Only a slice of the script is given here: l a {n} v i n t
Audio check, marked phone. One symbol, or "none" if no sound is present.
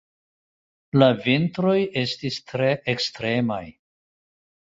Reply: none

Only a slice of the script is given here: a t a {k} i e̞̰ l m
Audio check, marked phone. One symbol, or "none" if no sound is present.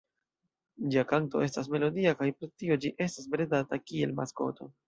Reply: k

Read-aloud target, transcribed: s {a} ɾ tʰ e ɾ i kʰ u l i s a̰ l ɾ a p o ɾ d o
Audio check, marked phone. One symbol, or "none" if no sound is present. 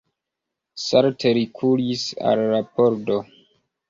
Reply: a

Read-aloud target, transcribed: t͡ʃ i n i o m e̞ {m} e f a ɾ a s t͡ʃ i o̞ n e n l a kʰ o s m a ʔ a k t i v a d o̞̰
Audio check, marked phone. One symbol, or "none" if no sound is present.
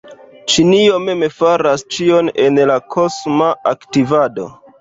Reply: m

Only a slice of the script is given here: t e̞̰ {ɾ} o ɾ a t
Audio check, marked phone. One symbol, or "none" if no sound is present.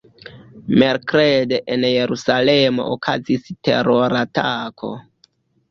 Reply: ɾ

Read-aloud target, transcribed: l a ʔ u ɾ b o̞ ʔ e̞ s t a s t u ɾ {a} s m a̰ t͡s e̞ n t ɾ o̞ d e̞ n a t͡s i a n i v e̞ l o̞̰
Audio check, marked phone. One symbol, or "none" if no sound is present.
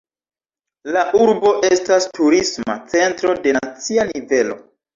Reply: i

